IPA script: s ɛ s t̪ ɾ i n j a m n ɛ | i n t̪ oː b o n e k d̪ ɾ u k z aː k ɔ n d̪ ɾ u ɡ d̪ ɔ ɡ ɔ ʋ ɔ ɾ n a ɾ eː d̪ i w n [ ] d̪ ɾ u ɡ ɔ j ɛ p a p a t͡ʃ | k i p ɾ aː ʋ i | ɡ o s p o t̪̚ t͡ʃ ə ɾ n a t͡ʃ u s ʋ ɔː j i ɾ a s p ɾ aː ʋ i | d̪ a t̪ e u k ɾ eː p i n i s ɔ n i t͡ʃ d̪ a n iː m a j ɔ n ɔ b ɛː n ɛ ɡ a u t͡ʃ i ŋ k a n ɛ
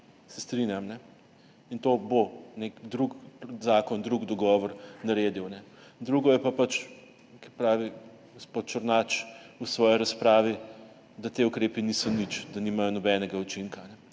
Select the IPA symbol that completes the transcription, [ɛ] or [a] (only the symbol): ɛ